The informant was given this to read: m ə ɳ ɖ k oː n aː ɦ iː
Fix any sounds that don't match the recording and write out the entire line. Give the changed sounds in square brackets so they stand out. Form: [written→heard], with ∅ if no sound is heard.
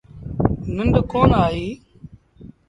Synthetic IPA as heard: [m→n] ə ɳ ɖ k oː n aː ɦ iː

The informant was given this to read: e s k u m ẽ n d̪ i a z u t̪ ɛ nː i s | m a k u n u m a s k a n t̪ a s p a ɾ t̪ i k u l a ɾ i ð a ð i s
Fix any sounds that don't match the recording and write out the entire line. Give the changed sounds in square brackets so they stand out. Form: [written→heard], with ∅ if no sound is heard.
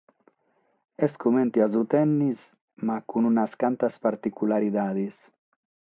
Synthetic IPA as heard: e s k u m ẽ n [d̪→t̪] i a z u t̪ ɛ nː i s | m a k u n u [m→n] a s k a n t̪ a s p a ɾ t̪ i k u l a ɾ i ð a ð i s

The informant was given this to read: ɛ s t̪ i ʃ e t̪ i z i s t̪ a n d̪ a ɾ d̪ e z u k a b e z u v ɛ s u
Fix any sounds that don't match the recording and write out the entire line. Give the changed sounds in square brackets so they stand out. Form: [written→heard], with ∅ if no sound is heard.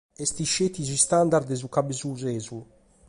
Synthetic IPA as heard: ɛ s t̪ i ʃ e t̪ i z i s t̪ a n d̪ a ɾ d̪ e z u k a b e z u [v→z] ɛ [s→z] u

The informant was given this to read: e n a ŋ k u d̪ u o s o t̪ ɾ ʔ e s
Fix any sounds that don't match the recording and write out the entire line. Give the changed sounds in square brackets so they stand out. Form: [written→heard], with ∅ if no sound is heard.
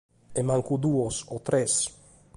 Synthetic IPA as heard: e [n→m] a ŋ k u d̪ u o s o t̪ ɾ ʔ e s

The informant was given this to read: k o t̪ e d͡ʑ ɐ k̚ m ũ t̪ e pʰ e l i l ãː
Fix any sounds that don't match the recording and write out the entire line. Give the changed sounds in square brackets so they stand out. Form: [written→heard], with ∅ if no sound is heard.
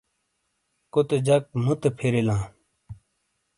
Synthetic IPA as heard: k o t̪ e d͡ʑ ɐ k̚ m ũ t̪ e pʰ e [l→ɾ] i l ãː

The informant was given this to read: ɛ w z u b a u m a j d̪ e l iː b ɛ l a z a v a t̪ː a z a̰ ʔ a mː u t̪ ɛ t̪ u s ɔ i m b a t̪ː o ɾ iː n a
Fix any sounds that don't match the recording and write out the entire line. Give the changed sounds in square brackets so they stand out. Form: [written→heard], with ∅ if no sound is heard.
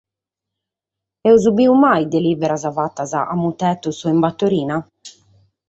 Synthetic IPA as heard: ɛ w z u b [a→i] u m a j d̪ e l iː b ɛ [l→ɾ] a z a v a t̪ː a z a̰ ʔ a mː u t̪ ɛ t̪ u s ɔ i m b a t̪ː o ɾ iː n a

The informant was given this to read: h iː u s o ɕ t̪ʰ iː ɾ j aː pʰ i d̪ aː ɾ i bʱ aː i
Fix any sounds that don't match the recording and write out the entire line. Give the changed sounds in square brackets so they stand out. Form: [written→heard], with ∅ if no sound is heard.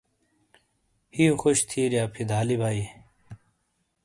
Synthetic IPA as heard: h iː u [s→x] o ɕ t̪ʰ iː ɾ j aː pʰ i d̪ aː [ɾ→l] i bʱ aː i

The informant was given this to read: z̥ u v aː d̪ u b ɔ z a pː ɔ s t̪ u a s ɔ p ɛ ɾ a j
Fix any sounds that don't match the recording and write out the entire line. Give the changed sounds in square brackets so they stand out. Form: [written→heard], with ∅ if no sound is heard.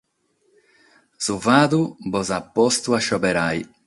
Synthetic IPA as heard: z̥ u v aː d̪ u b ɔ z a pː ɔ s t̪ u a [s→ʃ] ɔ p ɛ ɾ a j

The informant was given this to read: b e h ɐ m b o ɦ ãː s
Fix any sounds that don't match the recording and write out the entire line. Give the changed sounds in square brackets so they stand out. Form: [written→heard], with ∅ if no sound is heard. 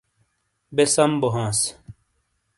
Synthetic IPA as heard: b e [h→s] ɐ m b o ɦ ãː s

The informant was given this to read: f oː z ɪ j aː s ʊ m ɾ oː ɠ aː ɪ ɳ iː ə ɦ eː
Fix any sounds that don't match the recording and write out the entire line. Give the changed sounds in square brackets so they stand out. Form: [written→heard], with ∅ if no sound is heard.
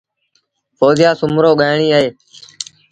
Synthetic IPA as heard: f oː z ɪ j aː s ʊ m ɾ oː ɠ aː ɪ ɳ iː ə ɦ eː

